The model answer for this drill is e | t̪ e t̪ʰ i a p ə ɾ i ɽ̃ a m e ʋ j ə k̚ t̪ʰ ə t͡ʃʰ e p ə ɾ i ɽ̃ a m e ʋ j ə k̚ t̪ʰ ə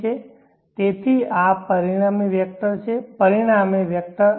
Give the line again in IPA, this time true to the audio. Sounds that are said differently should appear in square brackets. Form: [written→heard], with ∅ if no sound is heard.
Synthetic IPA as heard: e | t̪ e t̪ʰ i a p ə ɾ i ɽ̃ a m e ʋ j ə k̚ [t̪ʰ→t̪] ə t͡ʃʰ e p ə ɾ i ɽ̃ a m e ʋ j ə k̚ [t̪ʰ→t̪] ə